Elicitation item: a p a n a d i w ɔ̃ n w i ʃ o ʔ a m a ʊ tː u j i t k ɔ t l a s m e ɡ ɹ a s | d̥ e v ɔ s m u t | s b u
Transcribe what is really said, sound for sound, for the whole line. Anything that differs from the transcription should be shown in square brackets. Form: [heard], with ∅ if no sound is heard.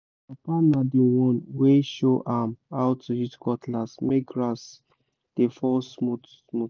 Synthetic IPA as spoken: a p a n a d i w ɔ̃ n w [e] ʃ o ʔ a m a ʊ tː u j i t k ɔ t l a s m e ɡ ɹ a s | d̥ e [f] ɔ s m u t | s [m] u

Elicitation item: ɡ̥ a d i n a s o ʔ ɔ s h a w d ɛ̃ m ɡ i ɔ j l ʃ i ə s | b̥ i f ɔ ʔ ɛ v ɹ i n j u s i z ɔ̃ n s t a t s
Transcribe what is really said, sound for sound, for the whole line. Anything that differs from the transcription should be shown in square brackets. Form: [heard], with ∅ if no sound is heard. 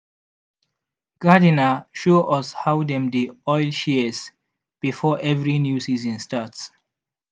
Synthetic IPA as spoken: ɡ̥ a d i n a [ʃ] o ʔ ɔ s h a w d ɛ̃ m [d] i ɔ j l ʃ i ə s | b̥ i f ɔ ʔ ɛ v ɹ i n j u s i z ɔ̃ n s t a t s

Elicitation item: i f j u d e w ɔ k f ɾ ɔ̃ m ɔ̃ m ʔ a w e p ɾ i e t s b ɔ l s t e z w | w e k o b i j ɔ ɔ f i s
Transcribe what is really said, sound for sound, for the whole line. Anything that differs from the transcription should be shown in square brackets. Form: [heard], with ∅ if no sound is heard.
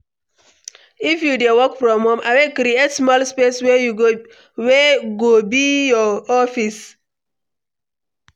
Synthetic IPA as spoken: i f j u d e w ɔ k f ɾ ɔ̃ m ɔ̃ m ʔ a w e [k] ɾ i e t s [m] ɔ l s [p] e [s] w | w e [ɡ] o b i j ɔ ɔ f i s

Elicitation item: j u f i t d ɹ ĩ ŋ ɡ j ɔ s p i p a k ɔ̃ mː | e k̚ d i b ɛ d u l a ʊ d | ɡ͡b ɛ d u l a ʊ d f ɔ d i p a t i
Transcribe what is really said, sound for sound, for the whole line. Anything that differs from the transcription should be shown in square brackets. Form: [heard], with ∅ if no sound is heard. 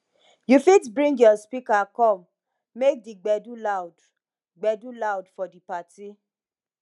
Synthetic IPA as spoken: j u f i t [b] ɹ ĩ ŋ ɡ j ɔ s p i [k] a k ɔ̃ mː | e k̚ d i [ɡ͡b] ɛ d u l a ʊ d | ɡ͡b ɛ d u l a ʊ d f ɔ d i p a t i

